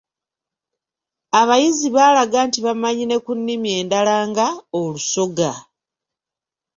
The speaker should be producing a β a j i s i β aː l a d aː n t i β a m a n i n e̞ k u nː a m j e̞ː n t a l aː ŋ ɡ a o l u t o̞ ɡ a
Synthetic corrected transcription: a β a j i z i β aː l a ɡ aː n t i β a m a ɲ i n e̞ k u nː i m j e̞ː n d a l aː ŋ ɡ a o l u s o̞ ɡ a